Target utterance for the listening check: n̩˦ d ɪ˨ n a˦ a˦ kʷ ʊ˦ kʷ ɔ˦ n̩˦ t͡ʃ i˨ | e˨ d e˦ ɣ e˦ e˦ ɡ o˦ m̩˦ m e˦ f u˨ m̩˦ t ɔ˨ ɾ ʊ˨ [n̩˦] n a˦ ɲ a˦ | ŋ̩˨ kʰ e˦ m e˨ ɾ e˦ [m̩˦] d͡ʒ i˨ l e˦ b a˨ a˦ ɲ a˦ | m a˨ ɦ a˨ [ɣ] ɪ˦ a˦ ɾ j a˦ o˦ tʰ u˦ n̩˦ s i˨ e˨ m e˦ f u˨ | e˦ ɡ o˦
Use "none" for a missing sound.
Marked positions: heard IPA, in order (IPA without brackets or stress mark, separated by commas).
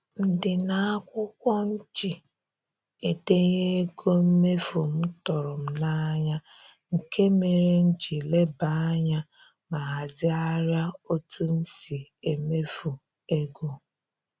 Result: m̩˦, n̩˦, z